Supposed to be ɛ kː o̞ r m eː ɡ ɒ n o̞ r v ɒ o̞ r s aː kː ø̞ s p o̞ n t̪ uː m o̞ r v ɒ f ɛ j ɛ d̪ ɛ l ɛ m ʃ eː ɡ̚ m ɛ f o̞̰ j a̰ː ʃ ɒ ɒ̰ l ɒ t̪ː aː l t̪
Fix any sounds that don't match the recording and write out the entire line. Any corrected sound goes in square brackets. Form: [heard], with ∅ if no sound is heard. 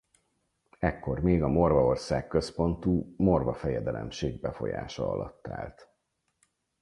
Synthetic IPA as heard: ɛ kː o̞ r m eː ɡ ɒ [m] o̞ r v ɒ o̞ r s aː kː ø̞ s p o̞ n t̪ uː m o̞ r v ɒ f ɛ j ɛ d̪ ɛ l ɛ m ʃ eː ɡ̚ [b] ɛ f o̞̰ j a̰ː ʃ ɒ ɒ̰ l ɒ t̪ː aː l t̪